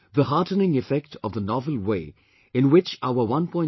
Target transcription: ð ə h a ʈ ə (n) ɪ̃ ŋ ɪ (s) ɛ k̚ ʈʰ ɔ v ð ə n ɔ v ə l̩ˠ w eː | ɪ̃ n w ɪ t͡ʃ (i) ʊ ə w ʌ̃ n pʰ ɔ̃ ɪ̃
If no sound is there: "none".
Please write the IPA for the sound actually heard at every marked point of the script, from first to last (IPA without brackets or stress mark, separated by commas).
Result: n, f, a